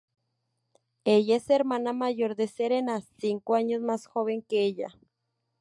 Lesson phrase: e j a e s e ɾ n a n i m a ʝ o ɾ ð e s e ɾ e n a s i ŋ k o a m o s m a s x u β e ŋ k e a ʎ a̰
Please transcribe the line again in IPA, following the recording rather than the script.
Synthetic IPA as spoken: e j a e s e ɾ m a n a m a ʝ o ɾ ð e s e ɾ e n a s i ŋ k o a ɲ o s m a s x o β e ŋ k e e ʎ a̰